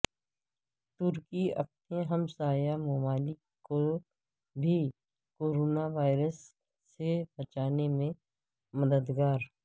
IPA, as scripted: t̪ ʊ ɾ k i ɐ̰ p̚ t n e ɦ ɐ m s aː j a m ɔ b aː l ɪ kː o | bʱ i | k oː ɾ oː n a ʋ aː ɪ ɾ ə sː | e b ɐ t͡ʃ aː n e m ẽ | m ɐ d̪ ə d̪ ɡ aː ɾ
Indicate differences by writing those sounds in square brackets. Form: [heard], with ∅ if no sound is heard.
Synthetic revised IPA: t̪ ʊ ɾ k i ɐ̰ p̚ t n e ɦ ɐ m s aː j a m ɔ [m] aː l ɪ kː o | bʱ i | k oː ɾ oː n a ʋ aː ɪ ɾ ə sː | e b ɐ t͡ʃ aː n e m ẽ | m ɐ d̪ ə d̪ ɡ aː ɾ